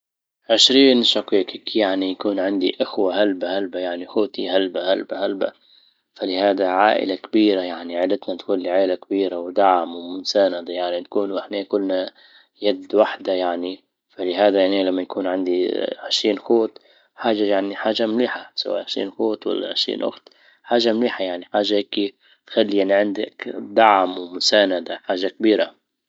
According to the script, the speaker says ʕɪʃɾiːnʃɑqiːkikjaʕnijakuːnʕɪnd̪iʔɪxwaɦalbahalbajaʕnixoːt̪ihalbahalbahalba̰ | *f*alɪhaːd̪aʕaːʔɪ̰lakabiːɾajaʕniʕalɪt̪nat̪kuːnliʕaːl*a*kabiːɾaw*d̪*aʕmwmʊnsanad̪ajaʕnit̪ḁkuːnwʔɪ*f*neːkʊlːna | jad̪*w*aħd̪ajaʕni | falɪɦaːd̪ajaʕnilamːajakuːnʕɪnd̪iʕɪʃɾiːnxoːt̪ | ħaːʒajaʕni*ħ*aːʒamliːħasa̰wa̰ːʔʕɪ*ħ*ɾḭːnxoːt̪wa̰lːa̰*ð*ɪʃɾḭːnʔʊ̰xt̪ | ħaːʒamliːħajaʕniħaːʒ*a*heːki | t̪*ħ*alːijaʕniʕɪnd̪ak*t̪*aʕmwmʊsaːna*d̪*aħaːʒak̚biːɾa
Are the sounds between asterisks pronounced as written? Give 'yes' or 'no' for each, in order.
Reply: yes, yes, yes, no, yes, yes, no, no, yes, no, no, yes

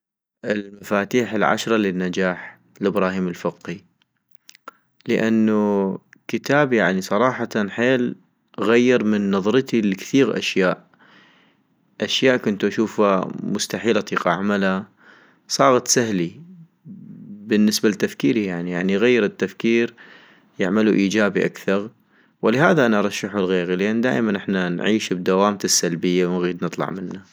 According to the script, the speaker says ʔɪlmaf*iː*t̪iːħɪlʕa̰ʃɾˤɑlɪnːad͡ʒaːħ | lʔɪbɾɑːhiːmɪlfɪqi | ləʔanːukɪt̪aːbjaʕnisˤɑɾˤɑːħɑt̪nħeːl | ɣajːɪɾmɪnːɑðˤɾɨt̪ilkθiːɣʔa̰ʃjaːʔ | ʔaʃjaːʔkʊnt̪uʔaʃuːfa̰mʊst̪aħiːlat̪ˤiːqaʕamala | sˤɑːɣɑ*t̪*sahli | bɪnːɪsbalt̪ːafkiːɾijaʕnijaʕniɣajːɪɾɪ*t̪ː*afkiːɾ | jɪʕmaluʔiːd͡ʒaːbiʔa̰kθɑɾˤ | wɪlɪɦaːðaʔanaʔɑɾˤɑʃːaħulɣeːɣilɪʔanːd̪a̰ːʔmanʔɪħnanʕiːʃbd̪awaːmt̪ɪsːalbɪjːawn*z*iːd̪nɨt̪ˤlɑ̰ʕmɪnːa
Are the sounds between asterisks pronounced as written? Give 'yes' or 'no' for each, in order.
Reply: no, yes, yes, no

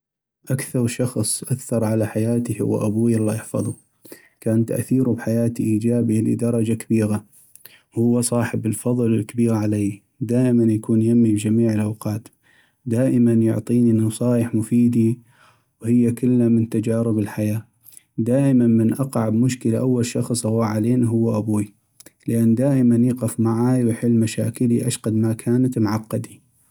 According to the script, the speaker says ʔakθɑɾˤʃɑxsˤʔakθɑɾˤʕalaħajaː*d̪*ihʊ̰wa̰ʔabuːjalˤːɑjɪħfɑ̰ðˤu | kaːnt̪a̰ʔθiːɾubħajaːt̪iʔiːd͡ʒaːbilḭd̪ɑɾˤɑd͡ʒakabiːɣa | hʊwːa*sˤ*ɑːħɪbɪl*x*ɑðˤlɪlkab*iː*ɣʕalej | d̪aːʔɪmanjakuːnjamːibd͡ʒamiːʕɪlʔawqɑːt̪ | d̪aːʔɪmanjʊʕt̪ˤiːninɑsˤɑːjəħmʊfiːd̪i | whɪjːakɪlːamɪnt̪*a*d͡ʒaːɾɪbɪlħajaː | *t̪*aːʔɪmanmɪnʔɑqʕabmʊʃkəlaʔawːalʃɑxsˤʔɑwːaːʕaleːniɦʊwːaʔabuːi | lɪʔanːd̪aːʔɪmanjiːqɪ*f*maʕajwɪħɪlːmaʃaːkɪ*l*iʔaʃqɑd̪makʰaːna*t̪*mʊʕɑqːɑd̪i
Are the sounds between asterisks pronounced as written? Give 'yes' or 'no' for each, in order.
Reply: no, yes, no, yes, yes, no, yes, yes, yes

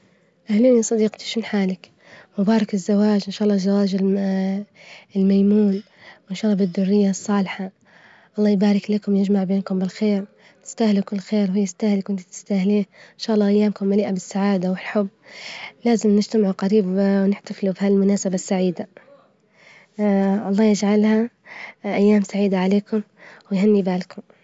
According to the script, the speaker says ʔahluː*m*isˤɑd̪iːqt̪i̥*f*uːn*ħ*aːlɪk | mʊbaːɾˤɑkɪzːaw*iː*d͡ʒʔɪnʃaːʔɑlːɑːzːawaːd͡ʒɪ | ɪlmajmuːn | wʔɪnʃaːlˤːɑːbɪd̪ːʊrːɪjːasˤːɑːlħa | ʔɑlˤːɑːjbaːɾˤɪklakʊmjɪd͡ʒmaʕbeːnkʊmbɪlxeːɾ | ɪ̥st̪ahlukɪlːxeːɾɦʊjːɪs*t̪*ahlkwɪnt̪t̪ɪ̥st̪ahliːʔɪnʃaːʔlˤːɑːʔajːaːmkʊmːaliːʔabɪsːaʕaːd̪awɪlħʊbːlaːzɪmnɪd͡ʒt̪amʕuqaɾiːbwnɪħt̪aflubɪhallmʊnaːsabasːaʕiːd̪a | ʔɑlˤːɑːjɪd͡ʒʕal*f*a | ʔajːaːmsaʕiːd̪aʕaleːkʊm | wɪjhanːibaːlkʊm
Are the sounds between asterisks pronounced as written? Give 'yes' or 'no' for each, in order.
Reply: no, no, yes, no, yes, no

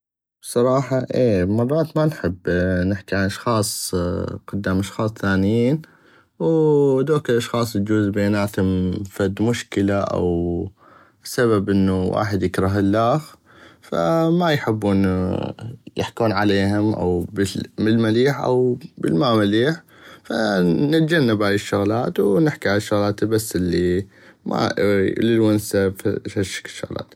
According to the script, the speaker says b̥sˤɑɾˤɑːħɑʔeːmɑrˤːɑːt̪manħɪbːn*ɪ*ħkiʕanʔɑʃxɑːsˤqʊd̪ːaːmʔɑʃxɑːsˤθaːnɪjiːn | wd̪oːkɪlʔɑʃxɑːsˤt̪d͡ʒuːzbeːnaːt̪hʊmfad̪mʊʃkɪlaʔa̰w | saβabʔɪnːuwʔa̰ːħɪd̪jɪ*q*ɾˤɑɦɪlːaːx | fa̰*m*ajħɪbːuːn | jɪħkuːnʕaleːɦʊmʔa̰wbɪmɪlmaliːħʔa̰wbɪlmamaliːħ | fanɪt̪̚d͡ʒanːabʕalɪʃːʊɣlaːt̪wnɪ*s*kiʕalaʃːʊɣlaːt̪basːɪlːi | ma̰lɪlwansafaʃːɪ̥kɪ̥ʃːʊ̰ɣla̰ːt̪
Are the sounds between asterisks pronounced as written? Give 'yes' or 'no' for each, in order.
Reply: yes, no, yes, no

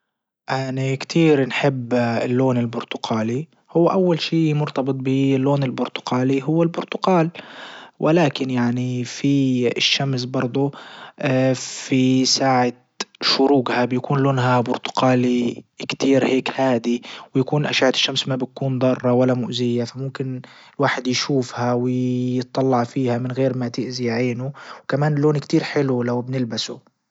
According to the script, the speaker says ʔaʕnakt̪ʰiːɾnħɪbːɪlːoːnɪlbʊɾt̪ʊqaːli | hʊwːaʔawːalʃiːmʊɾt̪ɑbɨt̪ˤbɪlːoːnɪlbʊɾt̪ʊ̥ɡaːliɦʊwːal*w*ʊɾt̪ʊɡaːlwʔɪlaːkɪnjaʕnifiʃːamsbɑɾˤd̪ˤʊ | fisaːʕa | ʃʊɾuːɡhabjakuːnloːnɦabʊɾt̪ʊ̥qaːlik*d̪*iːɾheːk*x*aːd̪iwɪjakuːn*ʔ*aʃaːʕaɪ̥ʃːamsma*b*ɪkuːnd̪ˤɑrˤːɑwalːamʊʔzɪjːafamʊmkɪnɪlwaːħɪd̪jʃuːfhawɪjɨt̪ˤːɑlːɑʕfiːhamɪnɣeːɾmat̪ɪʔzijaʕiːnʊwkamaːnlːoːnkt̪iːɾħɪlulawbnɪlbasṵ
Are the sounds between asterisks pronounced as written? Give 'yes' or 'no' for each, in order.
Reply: no, no, no, yes, yes

